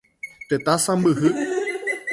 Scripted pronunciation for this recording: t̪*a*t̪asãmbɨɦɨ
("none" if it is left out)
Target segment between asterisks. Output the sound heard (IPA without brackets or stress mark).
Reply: e